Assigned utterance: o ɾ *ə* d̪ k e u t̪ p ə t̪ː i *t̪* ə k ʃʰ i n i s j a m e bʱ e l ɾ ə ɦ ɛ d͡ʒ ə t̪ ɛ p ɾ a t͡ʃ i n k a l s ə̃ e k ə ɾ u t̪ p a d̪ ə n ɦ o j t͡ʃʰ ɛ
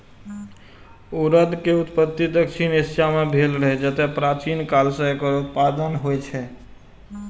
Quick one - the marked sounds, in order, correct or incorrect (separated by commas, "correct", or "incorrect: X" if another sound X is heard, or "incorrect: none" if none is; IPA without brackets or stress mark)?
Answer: correct, incorrect: d̪